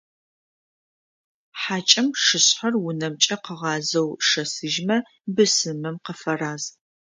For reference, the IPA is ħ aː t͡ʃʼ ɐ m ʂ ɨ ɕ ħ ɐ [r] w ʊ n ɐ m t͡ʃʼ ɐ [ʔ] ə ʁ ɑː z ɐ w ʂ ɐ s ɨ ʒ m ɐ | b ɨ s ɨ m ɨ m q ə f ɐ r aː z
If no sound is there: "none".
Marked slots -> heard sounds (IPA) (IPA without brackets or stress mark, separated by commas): r, q